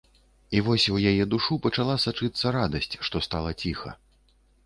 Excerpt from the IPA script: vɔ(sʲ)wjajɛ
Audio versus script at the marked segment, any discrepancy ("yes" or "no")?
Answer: no